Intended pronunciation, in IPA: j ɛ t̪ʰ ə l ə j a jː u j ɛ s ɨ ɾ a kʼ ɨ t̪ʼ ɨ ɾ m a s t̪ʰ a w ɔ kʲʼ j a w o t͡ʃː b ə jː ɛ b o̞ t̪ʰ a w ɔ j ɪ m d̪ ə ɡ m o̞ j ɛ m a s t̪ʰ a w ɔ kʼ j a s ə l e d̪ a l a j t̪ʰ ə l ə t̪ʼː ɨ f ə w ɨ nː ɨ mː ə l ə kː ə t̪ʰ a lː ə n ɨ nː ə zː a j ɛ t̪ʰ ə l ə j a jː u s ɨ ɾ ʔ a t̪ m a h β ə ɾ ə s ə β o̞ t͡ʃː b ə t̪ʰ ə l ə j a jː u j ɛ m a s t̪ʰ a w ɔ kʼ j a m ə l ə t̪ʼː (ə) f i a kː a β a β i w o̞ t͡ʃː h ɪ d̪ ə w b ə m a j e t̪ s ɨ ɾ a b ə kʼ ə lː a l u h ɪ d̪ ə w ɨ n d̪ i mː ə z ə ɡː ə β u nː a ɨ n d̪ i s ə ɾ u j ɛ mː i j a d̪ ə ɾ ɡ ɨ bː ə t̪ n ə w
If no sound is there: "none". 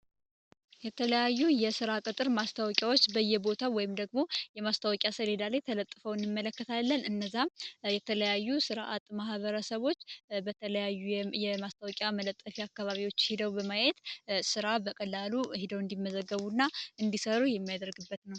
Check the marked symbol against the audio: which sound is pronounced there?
ə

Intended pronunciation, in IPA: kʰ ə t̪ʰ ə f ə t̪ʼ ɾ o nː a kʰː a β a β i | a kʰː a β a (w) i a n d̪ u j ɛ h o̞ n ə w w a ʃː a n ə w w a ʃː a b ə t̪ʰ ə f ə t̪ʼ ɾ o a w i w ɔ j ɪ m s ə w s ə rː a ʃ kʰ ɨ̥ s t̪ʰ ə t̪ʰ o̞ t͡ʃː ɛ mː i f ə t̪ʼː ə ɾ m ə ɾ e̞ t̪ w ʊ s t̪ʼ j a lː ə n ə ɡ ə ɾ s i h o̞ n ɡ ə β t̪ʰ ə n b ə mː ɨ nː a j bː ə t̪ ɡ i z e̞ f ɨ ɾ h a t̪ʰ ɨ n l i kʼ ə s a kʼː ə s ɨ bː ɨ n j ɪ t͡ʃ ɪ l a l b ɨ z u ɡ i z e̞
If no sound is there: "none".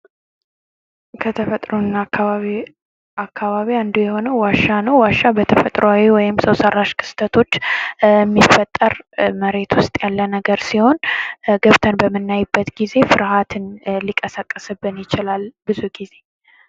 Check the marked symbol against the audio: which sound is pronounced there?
β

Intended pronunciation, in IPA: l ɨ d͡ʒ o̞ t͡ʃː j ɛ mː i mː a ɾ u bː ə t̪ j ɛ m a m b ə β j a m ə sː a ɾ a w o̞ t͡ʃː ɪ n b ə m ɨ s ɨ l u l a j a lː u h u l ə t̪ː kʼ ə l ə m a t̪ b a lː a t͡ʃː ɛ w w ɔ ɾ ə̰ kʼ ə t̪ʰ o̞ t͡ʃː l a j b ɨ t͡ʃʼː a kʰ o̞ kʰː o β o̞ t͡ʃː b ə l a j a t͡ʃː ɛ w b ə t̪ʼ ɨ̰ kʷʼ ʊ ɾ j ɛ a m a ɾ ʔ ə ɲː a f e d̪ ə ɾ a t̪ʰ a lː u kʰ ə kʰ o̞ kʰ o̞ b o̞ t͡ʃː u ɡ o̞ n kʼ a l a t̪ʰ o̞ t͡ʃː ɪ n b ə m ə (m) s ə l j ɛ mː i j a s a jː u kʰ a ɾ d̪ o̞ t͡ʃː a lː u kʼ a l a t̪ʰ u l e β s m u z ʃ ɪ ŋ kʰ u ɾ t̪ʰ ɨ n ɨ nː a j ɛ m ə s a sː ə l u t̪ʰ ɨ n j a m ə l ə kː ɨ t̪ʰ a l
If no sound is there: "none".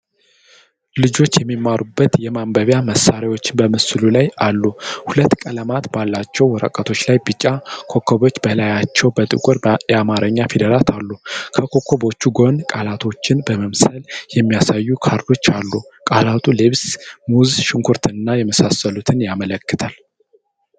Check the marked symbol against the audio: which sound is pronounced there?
m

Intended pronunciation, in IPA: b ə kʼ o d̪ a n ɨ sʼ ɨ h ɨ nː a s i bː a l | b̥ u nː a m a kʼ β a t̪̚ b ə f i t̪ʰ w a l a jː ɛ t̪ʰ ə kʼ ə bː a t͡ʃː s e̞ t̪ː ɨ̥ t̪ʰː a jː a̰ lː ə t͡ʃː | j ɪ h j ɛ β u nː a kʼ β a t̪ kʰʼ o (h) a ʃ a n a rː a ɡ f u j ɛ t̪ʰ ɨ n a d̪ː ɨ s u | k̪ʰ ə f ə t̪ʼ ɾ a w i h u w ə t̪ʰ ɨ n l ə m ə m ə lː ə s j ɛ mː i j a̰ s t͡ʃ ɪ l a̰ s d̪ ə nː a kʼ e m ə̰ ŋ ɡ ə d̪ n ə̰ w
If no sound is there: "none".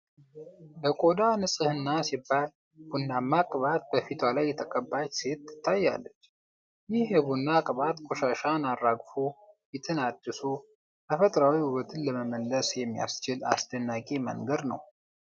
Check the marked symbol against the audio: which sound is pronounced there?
ʃ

